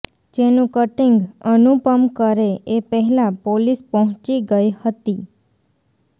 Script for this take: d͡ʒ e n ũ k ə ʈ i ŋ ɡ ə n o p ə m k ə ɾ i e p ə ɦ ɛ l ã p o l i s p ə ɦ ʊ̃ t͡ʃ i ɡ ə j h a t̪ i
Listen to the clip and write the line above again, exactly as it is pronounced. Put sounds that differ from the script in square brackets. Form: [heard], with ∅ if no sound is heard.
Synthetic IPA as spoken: d͡ʒ e n ũ k ə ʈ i ŋ ɡ ə n [u] p ə m k ə ɾ [e] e p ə ɦ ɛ l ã p o l i s p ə ɦ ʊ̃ t͡ʃ i ɡ ə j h [ə] t̪ i